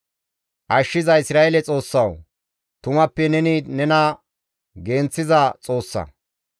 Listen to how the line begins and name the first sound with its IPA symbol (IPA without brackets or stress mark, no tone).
ʔ